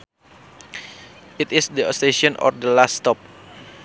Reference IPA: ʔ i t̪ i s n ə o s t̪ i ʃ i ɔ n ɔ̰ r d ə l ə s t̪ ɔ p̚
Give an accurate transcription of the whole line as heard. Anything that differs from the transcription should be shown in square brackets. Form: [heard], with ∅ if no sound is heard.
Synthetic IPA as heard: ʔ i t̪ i s [d] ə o s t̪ [e] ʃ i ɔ n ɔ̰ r d ə l [a] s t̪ ɔ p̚